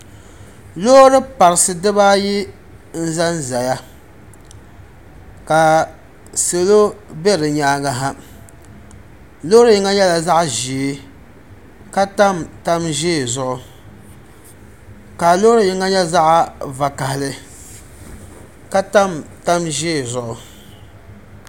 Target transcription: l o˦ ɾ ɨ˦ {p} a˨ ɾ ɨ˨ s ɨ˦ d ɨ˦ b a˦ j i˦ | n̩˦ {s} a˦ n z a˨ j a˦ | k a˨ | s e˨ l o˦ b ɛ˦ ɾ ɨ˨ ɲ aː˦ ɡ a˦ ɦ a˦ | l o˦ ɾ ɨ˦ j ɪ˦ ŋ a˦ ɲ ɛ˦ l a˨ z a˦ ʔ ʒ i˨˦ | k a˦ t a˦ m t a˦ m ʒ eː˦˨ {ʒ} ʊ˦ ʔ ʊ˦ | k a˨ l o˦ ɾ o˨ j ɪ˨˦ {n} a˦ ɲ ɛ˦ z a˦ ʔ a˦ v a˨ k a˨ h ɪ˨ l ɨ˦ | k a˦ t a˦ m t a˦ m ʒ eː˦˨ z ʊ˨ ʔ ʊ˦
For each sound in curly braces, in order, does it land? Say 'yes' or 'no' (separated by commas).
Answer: yes, no, no, no